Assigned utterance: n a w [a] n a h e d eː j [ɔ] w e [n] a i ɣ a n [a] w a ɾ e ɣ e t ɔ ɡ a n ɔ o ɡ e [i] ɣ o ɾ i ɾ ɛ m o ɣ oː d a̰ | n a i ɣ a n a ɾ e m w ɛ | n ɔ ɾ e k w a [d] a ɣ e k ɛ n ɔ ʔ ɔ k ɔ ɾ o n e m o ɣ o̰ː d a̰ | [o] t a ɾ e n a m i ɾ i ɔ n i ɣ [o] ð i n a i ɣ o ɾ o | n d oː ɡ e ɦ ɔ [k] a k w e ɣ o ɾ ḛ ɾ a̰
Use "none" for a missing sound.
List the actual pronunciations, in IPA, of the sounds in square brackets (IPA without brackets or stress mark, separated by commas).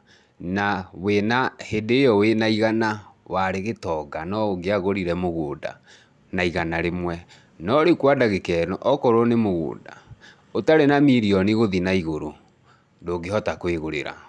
e, ɔ, n, a, a, d, o, o, t